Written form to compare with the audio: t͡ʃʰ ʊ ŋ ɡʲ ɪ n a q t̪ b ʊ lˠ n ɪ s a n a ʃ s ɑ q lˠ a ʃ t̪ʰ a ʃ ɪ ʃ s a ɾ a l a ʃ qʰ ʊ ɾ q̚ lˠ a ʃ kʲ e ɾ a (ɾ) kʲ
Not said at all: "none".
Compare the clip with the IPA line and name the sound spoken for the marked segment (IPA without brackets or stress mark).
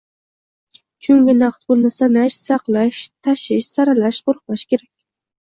none